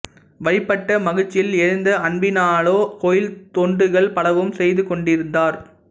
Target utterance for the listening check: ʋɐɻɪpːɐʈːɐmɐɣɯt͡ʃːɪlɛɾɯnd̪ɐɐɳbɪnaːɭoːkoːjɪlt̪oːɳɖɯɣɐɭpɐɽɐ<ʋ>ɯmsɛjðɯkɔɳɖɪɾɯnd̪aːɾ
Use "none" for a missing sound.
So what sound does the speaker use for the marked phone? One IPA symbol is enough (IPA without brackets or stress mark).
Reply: ʋ